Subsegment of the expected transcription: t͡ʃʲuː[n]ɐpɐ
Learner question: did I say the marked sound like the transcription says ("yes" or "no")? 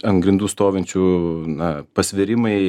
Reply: yes